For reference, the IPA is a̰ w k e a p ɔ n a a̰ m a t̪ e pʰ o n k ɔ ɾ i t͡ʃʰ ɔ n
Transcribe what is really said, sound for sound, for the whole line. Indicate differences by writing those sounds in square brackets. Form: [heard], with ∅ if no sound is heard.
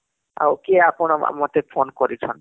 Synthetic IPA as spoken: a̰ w k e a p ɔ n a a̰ m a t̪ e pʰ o n k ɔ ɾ i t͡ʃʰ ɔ n

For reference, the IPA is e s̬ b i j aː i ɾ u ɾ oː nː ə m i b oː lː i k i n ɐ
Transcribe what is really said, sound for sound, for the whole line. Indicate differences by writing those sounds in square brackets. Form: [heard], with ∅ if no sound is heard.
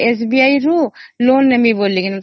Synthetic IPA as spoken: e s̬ b i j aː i ɾ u [l] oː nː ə m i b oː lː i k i n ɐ

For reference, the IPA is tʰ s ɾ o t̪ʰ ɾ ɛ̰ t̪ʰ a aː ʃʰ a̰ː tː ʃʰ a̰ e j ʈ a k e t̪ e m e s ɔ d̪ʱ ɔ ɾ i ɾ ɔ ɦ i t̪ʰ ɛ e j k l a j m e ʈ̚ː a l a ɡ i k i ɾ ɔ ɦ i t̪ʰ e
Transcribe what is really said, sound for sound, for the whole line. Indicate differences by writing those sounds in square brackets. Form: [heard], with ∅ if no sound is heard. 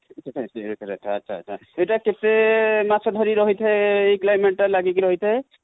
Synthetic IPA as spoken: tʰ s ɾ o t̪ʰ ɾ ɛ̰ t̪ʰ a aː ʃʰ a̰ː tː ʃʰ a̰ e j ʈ a k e t̪ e m [a] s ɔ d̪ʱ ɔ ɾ i ɾ ɔ ɦ i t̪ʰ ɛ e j k l a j m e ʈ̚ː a l a ɡ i k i ɾ ɔ ɦ i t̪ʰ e

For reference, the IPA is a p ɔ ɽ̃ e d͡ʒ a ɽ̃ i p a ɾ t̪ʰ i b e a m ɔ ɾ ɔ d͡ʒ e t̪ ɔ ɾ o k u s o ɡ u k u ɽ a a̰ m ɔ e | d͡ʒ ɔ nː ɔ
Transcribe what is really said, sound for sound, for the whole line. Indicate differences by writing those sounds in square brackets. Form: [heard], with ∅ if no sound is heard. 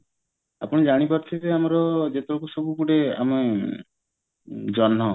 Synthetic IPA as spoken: a p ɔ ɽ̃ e d͡ʒ a ɽ̃ i p a ɾ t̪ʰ i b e a m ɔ ɾ ɔ d͡ʒ e t̪ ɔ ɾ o k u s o [b] u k u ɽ [e] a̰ m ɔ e | d͡ʒ ɔ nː ɔ

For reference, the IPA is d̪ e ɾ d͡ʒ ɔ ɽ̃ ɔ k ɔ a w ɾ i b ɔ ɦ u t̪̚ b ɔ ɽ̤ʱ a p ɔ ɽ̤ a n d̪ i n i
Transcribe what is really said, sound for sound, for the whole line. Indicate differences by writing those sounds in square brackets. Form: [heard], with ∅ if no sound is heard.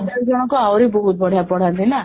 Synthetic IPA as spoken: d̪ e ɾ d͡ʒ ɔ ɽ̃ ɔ k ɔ a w ɾ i b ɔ ɦ u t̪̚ b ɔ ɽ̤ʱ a p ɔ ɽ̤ a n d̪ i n [a]

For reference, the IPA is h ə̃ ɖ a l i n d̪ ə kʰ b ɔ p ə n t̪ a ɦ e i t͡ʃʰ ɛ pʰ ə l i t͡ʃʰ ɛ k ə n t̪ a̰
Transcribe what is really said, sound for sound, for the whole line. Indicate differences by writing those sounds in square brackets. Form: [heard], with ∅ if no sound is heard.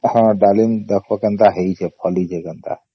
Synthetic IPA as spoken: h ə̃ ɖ a l i n d̪ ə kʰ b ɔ [k] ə n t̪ a ɦ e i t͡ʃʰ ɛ pʰ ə l i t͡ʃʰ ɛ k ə n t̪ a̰

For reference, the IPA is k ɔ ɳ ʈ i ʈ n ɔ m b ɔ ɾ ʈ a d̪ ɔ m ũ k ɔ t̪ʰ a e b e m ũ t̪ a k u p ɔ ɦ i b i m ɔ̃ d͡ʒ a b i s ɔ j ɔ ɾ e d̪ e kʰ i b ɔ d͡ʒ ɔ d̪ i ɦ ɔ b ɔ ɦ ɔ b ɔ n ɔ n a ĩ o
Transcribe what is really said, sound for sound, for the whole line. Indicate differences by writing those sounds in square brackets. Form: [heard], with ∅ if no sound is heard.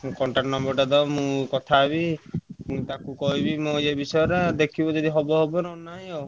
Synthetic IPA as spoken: k ɔ ɳ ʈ [a] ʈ n ɔ m b ɔ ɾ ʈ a d̪ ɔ m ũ k ɔ t̪ʰ a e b [i] m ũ t̪ a k u [k] ɔ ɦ i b i m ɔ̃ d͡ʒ [e] b i s ɔ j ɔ ɾ e d̪ e kʰ i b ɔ d͡ʒ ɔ d̪ i ɦ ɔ b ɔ ɦ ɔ b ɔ n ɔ n a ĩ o

